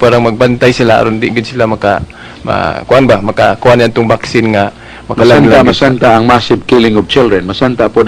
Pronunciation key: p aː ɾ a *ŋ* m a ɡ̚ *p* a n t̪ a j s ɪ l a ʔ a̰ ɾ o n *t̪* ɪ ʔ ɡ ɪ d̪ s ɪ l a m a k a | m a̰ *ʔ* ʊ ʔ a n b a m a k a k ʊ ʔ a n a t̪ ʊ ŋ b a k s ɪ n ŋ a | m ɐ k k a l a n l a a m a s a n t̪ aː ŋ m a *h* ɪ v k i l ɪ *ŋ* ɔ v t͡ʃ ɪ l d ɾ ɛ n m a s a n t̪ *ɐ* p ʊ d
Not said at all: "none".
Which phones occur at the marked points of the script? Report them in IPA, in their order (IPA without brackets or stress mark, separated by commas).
ŋ, b, d̪, k, s, ŋ, a